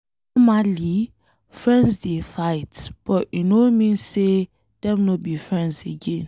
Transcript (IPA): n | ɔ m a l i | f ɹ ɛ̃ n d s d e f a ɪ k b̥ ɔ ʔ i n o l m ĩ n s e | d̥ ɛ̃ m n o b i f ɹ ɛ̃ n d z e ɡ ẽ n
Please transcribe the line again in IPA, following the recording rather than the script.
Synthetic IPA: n | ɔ m a l i | f ɹ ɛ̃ n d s d e f a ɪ t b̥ ɔ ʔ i n o m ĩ n s e | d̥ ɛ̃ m n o b i f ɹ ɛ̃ n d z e ɡ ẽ n